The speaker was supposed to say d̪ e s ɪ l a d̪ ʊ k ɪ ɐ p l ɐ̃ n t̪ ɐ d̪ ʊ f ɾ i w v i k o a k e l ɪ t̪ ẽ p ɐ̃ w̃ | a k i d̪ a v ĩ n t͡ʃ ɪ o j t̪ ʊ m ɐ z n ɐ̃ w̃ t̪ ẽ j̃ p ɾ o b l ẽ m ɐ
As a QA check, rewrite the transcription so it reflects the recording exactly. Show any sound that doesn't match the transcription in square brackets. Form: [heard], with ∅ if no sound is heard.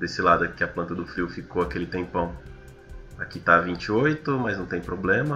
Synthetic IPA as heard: d̪ e s ɪ l a d̪ ʊ k ɪ ɐ p l ɐ̃ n t̪ ɐ d̪ ʊ f ɾ i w [f] i k o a k e l ɪ t̪ ẽ p ɐ̃ w̃ | a k i [t̪] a v ĩ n t͡ʃ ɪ o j t̪ ʊ m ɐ z n ɐ̃ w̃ t̪ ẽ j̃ p ɾ o b l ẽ m ɐ